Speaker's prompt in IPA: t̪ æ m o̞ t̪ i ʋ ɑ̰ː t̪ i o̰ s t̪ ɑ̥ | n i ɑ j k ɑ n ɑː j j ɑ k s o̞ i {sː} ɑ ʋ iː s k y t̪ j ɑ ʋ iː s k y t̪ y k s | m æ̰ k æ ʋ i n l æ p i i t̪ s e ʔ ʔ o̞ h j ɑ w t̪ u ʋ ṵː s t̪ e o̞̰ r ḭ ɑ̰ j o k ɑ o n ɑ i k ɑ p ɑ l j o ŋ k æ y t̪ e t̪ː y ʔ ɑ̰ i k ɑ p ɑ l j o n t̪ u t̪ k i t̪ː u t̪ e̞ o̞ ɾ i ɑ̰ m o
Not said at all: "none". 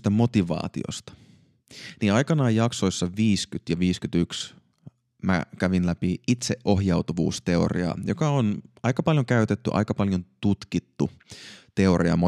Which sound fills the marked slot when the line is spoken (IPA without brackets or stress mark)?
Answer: sː